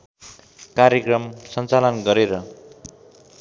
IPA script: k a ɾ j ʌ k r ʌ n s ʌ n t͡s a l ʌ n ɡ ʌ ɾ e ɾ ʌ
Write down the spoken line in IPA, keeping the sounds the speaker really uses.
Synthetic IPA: k a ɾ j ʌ k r ʌ m s ʌ n t͡s a l ʌ n ɡ ʌ ɾ e ɾ ʌ